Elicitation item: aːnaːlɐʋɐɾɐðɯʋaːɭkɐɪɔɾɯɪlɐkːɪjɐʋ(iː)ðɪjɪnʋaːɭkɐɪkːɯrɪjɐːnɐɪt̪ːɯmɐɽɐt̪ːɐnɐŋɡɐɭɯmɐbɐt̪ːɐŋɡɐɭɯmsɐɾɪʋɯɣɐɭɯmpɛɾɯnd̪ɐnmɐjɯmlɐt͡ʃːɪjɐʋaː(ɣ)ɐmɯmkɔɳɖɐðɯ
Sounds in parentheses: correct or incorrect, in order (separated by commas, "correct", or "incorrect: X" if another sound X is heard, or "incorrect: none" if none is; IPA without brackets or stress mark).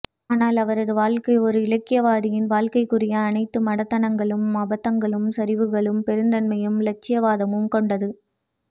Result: incorrect: aː, incorrect: ð